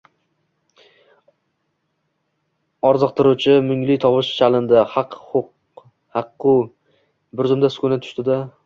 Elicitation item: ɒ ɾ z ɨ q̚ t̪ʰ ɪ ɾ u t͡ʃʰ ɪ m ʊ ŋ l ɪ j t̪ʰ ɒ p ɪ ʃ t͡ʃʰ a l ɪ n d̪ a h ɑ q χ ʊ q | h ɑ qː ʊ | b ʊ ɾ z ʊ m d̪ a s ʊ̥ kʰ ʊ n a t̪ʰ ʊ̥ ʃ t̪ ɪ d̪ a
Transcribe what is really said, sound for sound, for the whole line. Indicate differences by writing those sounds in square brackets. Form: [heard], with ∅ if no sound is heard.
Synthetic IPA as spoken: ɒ ɾ z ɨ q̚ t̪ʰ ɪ ɾ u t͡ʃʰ ɪ m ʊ ŋ l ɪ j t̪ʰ ɒ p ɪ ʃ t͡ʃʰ a l ɪ n d̪ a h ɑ q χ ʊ q | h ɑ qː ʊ | b ʊ ɾ z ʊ m d̪ a s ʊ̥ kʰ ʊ n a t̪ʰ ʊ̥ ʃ t̪ ɪ d̪ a